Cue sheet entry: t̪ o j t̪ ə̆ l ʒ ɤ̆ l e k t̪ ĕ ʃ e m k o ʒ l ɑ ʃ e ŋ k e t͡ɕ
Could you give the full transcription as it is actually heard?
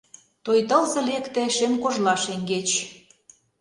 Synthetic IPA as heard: t̪ o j t̪ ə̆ l z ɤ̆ l e k t̪ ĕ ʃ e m k o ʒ l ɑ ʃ e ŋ ɡ e t͡ɕ